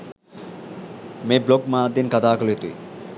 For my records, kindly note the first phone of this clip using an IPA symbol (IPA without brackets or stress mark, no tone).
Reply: m